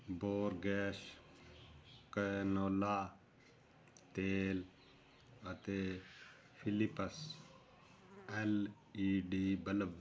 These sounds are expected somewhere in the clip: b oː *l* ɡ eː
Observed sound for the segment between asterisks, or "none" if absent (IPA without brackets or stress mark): ɾ